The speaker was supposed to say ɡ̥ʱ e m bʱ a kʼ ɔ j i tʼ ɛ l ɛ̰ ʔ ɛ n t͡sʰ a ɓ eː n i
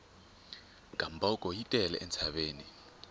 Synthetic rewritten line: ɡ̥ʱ a m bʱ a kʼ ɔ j i tʼ ɛ l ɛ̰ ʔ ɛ n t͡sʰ a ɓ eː n i

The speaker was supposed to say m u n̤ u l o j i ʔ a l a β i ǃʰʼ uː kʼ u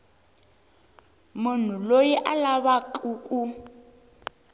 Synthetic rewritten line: m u n̤ u l o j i ʔ a l a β a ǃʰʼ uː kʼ u

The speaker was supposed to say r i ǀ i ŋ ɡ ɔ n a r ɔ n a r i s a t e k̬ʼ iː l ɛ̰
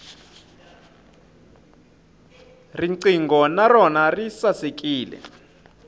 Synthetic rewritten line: r i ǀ i ŋ ɡ ɔ n a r ɔ n a r i s a s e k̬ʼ iː l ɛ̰

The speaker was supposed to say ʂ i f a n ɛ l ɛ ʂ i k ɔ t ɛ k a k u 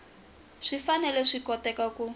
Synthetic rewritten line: ʂ i f a n ɛ l ɛ ʂ i k ɔ t ɛ k a k u

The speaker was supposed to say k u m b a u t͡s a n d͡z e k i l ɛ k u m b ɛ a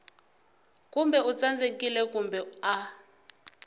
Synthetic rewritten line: k u m b ɛ u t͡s a n d͡z e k i l ɛ k u m b ɛ a

